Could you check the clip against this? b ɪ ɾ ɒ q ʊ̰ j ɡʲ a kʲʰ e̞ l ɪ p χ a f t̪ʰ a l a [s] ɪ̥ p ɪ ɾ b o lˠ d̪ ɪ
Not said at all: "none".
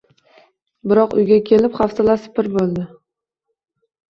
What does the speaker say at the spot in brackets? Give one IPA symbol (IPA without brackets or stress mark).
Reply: s